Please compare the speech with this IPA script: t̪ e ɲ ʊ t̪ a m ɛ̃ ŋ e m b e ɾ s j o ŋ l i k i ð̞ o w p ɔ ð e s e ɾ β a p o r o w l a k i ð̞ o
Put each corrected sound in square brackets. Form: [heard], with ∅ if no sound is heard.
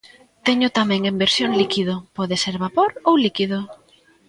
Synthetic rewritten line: t̪ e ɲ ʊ t̪ a m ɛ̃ ŋ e m b e ɾ s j o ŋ l i k i ð̞ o [∅] p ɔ ð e s e ɾ β a p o [ɾ] o w l [i] k i ð̞ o